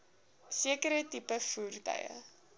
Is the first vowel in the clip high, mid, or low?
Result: high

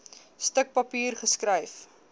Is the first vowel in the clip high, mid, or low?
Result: mid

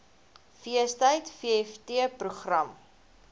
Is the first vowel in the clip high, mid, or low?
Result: high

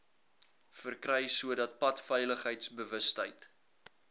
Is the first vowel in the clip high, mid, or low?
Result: mid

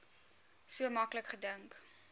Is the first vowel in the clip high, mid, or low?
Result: high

